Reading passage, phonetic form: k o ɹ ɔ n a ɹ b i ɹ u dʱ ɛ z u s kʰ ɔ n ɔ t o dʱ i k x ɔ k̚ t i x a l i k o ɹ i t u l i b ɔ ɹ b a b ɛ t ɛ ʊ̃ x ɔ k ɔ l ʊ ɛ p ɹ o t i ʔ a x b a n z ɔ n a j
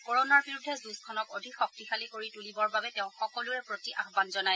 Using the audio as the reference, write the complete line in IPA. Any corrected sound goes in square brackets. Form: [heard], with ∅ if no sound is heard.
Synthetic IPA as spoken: k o ɹ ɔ n a ɹ b i ɹ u dʱ ɛ z u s kʰ ɔ n ɔ [k] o dʱ i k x ɔ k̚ t i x a l i k o ɹ i t u l i b ɔ ɹ b a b ɛ t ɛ ʊ̃ x ɔ k ɔ l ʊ ɛ p ɹ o t i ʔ a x b a n z ɔ n a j